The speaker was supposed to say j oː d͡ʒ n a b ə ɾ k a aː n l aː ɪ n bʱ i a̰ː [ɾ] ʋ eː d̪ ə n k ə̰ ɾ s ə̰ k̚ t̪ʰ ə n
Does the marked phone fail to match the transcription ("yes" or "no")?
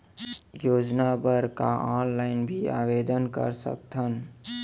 yes